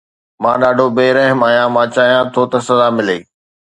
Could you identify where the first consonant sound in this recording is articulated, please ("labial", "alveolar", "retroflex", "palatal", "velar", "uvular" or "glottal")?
labial